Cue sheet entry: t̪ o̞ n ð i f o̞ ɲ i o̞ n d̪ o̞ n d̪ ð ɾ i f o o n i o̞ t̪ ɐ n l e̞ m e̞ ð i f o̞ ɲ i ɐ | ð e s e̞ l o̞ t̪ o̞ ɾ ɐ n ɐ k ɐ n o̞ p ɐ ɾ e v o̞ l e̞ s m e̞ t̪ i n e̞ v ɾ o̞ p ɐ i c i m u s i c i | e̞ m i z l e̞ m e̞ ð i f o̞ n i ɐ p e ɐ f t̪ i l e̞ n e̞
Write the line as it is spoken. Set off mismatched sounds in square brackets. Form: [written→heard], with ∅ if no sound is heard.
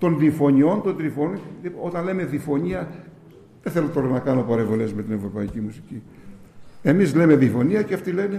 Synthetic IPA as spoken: t̪ o̞ n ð i f o̞ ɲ i o̞ n [d̪→t̪] o̞ n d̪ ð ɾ i f o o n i o̞ t̪ ɐ n l e̞ m e̞ ð i f o̞ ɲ i ɐ | ð e [s→θ] e̞ l o̞ t̪ o̞ ɾ ɐ n ɐ k ɐ n o̞ p ɐ ɾ e v o̞ l e̞ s m e̞ t̪ i n e̞ v ɾ o̞ p ɐ i c i m u s i c i | e̞ m i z l e̞ m e̞ ð i f o̞ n i ɐ [p→c] e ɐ f t̪ i l e̞ n e̞